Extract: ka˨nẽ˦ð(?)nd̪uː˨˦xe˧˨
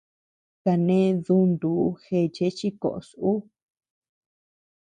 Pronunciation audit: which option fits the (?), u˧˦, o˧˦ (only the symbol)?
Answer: u˧˦